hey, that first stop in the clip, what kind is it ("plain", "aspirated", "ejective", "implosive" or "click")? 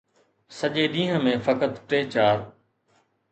implosive